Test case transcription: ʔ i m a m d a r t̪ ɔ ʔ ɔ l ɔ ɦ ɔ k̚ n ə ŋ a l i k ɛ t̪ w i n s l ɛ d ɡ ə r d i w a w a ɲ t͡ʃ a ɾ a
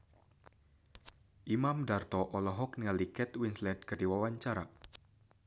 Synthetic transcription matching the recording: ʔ i m a m d a r t̪ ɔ ʔ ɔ l ɔ ɦ ɔ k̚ n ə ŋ a l i k ɛ t̪ w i n s l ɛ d k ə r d i w a w a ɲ t͡ʃ a ɾ a